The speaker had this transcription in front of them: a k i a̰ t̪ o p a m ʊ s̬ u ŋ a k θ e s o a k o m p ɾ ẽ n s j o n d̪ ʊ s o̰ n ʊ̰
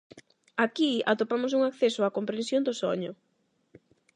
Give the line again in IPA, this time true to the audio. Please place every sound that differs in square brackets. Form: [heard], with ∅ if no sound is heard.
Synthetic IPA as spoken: a k i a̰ t̪ o p a m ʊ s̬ u ŋ a k θ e s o a k o m p ɾ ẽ n s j o n d̪ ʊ s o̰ [ɲ] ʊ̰